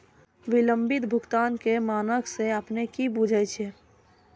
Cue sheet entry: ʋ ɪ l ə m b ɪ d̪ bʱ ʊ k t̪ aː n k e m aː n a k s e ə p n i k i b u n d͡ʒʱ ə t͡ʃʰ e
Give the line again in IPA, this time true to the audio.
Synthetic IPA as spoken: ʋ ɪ l ə m b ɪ t̪ bʱ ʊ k t̪ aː n k e m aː n ə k s e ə p n e k i b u d͡ʒʱ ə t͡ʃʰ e

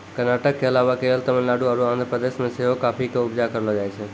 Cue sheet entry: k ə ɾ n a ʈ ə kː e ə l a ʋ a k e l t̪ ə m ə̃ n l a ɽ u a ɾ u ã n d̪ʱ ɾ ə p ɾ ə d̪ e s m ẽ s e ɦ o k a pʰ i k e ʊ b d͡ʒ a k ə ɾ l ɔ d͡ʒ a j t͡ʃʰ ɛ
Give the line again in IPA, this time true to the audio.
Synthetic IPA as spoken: k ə ɾ n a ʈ ə kː e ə l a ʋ a k e l t̪ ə m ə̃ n l a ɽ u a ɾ u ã n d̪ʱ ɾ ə p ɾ ə d̪ e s m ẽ s e ɦ o k a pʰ i k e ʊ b d͡ʒ a k ə ɾ l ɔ d͡ʒ a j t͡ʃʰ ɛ

